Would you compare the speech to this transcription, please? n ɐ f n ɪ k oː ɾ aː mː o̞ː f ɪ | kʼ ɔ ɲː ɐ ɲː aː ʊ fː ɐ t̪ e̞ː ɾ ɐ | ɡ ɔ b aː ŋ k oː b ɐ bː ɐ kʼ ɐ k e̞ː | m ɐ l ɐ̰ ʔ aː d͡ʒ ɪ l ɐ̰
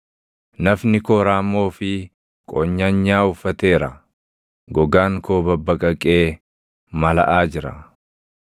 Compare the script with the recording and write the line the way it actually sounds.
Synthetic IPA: n ɐ f n ɪ k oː ɾ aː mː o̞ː f ɪ | kʼ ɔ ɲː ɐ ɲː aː ʊ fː ɐ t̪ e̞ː ɾ ɐ | ɡ ɔ ɡ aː ŋ k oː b ɐ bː ɐ kʼ ɐ kʼ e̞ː | m ɐ l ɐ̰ ʔ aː d͡ʒ ɪ ɾ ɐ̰